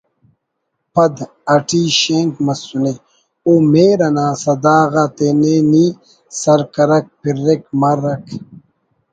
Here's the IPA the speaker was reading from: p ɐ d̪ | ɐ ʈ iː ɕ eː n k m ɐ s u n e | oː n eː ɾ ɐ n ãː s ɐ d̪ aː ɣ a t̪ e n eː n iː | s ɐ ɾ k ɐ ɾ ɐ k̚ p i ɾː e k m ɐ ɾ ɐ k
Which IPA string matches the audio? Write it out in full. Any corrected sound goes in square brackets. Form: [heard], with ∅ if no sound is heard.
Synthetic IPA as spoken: p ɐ d̪ | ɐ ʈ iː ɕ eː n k m ɐ s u n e | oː [m] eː ɾ ɐ n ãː s ɐ d̪ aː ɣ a t̪ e n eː n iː | s ɐ ɾ k ɐ ɾ ɐ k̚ p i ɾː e k m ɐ ɾ ɐ k